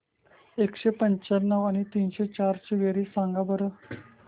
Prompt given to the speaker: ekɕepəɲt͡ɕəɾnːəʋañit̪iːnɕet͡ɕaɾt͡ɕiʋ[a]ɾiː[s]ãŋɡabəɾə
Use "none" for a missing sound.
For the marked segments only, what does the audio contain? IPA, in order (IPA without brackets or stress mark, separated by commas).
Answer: e, s